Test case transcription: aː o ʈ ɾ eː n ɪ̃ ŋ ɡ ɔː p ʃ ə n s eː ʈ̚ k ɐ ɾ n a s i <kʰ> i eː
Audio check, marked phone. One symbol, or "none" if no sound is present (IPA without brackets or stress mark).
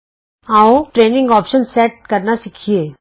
kʰ